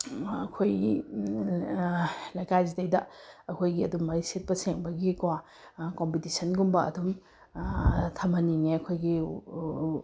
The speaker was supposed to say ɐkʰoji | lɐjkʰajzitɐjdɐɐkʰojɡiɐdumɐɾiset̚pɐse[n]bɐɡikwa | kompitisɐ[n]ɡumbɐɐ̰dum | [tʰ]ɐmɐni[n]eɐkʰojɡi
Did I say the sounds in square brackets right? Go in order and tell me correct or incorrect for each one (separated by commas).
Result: incorrect, correct, correct, incorrect